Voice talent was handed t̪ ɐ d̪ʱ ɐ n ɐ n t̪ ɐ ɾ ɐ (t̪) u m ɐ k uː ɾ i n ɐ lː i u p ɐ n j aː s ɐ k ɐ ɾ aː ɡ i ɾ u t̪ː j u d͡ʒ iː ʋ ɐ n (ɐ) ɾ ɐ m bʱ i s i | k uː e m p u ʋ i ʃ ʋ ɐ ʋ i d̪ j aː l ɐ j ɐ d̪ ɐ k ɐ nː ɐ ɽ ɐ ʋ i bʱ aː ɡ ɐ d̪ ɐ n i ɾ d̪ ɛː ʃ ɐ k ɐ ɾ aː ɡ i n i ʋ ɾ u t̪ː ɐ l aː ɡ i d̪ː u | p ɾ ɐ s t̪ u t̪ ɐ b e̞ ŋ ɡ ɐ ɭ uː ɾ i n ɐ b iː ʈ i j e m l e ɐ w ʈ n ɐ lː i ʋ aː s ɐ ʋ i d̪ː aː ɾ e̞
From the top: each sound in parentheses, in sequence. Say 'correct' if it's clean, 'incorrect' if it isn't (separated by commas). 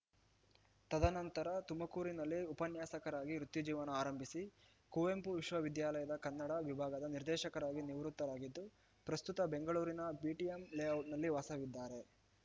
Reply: correct, incorrect